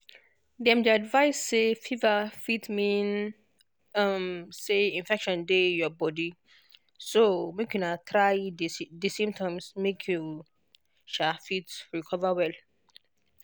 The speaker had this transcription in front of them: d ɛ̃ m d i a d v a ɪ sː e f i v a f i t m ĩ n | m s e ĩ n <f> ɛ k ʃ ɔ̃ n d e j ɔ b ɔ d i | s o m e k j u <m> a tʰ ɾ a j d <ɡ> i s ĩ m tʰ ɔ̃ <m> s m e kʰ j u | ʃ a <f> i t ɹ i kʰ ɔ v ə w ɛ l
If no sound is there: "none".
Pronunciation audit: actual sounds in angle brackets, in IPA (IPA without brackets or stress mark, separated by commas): f, n, d, m, f